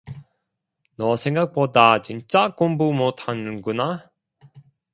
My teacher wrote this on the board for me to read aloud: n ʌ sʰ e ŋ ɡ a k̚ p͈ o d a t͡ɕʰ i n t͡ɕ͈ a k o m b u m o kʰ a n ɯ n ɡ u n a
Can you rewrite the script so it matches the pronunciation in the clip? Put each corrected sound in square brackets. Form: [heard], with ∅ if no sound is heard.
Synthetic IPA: n ʌ sʰ e ŋ ɡ a k̚ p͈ o d a [t͡ɕ] i n t͡ɕ͈ a k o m b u m o [tʰ] a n ɯ n ɡ u n a